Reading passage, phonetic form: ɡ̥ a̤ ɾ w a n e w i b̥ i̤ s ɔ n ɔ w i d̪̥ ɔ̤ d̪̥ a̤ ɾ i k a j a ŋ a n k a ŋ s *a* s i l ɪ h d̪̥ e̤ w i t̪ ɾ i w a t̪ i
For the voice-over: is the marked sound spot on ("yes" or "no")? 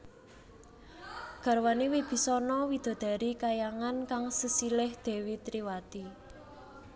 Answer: no